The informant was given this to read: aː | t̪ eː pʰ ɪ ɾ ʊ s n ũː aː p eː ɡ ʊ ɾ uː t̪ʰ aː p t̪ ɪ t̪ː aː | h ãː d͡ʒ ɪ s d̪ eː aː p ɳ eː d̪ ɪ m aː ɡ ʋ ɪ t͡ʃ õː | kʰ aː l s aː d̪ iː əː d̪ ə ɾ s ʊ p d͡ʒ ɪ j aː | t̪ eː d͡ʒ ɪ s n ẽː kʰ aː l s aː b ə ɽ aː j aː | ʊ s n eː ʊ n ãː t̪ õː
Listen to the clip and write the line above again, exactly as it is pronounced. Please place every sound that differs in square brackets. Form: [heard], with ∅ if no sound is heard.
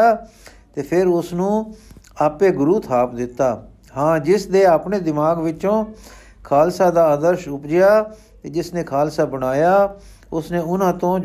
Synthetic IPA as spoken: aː | t̪ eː pʰ ɪ ɾ ʊ s n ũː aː p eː ɡ ʊ ɾ uː t̪ʰ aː p [d̪] ɪ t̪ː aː | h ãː d͡ʒ ɪ s d̪ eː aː p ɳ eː d̪ ɪ m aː ɡ ʋ ɪ t͡ʃ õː | kʰ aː l s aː d̪ [aː] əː d̪ ə ɾ [ʃ] ʊ p d͡ʒ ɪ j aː | t̪ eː d͡ʒ ɪ s n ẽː kʰ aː l s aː b ə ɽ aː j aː | ʊ s n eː ʊ n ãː t̪ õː